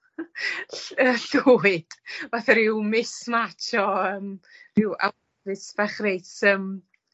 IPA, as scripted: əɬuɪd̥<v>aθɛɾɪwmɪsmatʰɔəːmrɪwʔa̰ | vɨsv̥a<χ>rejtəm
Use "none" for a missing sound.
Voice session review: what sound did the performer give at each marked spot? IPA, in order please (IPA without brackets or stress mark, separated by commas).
v, χ